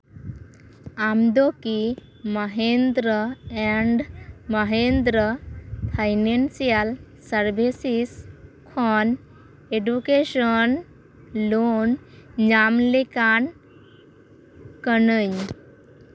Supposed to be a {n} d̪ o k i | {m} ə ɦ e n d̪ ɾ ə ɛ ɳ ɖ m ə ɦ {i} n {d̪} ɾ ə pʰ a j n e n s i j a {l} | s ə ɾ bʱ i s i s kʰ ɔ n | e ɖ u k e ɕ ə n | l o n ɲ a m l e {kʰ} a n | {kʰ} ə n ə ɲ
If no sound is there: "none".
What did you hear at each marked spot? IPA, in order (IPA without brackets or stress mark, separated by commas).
m, m, e, d̪, l, k, k